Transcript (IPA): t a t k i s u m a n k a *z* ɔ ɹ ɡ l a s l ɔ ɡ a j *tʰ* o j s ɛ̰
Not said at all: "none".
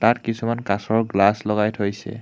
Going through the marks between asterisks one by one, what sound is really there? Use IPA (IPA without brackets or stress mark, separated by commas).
s, tʰ